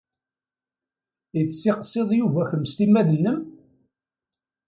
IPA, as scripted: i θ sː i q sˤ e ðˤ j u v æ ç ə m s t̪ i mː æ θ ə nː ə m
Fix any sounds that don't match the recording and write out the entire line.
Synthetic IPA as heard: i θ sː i q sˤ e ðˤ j u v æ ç ə m s t̪ i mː æ ð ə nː ə m